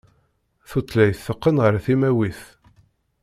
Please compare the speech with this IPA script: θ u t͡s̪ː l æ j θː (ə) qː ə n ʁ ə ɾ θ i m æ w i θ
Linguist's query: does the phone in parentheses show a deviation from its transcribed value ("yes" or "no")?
no